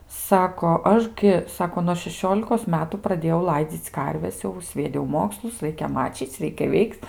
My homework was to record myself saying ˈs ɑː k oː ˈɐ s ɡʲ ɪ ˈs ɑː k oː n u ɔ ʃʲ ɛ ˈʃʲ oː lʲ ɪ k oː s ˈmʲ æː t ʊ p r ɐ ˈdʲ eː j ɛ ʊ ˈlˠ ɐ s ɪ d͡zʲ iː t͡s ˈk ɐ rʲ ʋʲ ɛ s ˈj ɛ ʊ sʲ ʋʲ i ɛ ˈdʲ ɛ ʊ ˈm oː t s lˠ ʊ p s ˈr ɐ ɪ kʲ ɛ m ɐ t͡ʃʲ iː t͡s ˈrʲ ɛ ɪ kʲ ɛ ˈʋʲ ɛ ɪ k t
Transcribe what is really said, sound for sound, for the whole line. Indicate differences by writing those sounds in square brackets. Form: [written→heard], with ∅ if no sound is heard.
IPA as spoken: ˈs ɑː k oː ˈɐ [s→ʃ] ɡʲ ɪ ˈs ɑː k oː n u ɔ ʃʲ ɛ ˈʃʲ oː lʲ ɪ k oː s ˈmʲ æː t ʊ p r ɐ ˈdʲ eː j ɛ ʊ ˈlˠ ɐ [s→∅] ɪ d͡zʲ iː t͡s ˈk ɐ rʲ ʋʲ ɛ s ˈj ɛ ʊ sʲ ʋʲ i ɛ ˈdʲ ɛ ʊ ˈm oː [t→k] s lˠ ʊ [p→∅] s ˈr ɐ ɪ kʲ ɛ m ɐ t͡ʃʲ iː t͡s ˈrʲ ɛ ɪ kʲ ɛ ˈʋʲ ɛ ɪ k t

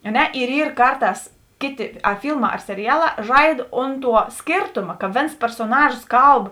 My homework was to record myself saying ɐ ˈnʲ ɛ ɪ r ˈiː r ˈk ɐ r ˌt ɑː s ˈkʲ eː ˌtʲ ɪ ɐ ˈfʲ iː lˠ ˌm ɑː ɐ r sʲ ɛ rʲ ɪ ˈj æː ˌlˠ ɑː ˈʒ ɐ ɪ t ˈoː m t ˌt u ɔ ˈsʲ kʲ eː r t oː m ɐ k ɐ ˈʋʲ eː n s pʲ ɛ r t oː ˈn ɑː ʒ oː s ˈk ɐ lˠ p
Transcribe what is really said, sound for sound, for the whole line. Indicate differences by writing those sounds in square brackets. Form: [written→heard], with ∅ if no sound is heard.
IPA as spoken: ɐ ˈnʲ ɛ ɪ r ˈiː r ˈk ɐ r ˌt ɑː s ˈkʲ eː ˌtʲ ɪ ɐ ˈfʲ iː lˠ ˌm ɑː ɐ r sʲ ɛ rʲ ɪ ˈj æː ˌlˠ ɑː ˈʒ ɐ ɪ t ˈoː [m→n] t ˌt u ɔ ˈsʲ kʲ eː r t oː m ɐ k ɐ ˈʋʲ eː n s pʲ ɛ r [t→s] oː ˈn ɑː ʒ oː s ˈk ɐ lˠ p

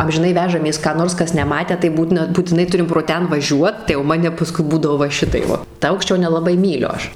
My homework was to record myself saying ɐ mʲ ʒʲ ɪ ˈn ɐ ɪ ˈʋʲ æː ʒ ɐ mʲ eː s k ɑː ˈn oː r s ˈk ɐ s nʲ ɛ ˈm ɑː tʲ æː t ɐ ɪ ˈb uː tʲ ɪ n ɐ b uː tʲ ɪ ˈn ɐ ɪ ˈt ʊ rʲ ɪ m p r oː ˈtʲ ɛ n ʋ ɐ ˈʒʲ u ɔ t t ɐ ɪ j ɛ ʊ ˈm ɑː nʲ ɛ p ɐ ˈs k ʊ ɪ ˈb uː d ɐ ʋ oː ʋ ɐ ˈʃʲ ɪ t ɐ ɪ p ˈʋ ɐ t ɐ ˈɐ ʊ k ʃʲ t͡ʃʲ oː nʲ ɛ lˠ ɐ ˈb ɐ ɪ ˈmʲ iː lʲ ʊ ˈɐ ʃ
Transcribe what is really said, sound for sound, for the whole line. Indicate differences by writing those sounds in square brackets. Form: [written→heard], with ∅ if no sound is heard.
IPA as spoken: ɐ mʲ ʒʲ ɪ ˈn ɐ ɪ ˈʋʲ æː ʒ ɐ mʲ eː s k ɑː ˈn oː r s ˈk ɐ s nʲ ɛ ˈm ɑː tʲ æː t ɐ ɪ ˈb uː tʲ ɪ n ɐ b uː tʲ ɪ ˈn ɐ ɪ ˈt ʊ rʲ ɪ m p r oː ˈtʲ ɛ n ʋ ɐ ˈʒʲ u ɔ t t ɐ ɪ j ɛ ʊ ˈm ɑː nʲ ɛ p ɐ ˈs k ʊ ɪ ˈb uː d ɐ ʋ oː ʋ ɐ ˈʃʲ ɪ t ɐ ɪ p ˈʋ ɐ t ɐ ˈɐ ʊ k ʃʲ t͡ʃʲ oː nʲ ɛ lˠ ɐ ˈb ɐ ɪ ˈmʲ iː lʲ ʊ ˈɐ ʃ

